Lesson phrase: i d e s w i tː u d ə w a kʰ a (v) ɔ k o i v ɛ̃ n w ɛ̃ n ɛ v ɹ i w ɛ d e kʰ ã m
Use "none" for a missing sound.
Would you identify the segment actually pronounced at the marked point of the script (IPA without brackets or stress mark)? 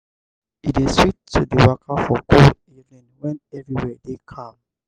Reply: f